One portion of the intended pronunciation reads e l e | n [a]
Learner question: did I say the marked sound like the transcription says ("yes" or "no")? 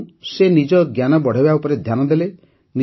no